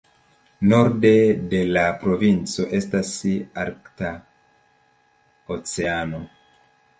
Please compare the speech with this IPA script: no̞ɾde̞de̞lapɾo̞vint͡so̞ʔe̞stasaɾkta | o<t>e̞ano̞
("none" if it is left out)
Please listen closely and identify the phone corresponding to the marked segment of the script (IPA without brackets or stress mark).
t͡s